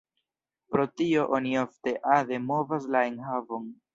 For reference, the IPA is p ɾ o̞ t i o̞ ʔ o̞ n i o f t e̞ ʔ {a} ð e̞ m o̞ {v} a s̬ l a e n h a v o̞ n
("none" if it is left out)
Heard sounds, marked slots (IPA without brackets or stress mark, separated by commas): a, v